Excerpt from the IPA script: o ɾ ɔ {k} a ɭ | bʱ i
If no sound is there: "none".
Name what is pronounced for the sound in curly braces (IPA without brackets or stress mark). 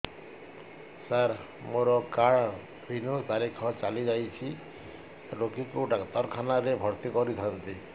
k